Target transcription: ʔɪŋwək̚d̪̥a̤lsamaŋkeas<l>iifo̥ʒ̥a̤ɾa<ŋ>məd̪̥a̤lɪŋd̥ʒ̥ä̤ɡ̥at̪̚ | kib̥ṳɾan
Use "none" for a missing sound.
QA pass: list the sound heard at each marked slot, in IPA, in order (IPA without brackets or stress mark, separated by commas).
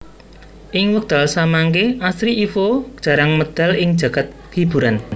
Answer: ɾ, ŋ